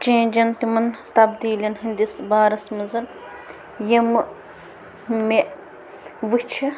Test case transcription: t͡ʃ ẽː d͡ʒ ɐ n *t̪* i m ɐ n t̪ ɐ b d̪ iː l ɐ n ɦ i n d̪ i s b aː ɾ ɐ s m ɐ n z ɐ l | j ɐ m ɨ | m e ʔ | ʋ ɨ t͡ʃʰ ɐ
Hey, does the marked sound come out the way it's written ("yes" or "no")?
yes